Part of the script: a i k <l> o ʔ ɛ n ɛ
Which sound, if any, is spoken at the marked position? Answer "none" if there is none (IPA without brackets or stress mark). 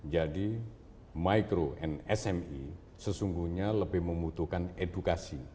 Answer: ɾ